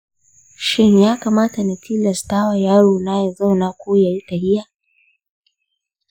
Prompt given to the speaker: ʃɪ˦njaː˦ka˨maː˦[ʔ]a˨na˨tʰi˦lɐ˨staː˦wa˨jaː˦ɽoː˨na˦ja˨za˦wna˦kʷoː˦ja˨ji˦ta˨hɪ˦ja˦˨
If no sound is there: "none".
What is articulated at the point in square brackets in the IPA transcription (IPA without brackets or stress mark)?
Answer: t